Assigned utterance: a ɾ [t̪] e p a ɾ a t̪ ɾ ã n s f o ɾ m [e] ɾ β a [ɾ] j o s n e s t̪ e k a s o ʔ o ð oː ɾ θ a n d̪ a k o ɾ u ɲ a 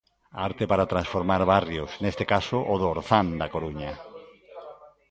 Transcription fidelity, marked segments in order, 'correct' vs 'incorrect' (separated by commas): correct, incorrect, incorrect